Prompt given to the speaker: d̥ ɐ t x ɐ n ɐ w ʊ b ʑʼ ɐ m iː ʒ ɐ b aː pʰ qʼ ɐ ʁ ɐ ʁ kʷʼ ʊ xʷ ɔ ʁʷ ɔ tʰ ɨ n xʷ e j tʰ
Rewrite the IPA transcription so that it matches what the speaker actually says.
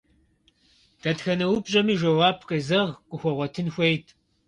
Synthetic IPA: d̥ ɐ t x ɐ n ɐ w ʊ b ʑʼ ɐ m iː ʒ ɐ w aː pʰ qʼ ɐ z ɐ ʁ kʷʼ ʊ xʷ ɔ ʁʷ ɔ tʰ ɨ n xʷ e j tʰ